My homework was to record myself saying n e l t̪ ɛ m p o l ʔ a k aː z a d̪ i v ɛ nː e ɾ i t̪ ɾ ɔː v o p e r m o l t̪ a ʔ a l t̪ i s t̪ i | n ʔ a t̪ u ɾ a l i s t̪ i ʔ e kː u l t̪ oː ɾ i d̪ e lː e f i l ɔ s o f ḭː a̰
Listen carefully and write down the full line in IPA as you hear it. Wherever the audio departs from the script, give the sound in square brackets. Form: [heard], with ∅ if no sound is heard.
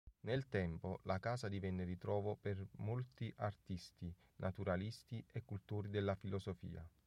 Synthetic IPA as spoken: n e l t̪ ɛ m p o l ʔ a k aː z a d̪ i v ɛ nː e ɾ i t̪ ɾ ɔː v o p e r m o l t̪ [i] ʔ a [r] t̪ i s t̪ i | n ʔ a t̪ u ɾ a l i s t̪ i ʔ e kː u l t̪ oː ɾ i d̪ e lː [a] f i l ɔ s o f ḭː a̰